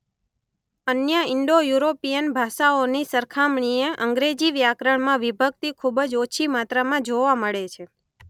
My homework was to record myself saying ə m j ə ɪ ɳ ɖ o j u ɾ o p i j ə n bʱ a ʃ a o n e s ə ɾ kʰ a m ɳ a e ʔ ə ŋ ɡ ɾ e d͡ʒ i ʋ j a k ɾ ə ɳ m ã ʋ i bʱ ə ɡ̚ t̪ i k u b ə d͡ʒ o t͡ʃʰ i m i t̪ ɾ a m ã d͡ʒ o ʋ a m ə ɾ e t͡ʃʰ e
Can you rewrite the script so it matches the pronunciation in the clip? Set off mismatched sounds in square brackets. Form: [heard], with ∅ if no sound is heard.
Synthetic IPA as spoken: ə [n] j ə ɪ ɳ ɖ o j u ɾ o p i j ə n bʱ a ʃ a o n [i] s ə ɾ kʰ a m ɳ [i] e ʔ ə ŋ ɡ ɾ e d͡ʒ i ʋ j a k ɾ ə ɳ m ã ʋ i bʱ ə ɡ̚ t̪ i [kʰ] u b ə d͡ʒ o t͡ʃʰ i m [a] t̪ ɾ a m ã d͡ʒ o ʋ a m ə [ɭ] e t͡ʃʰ e